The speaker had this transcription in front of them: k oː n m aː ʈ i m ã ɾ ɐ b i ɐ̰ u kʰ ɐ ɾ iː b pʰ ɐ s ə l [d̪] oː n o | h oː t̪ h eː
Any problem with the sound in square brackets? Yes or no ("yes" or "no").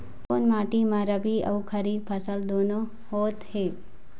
no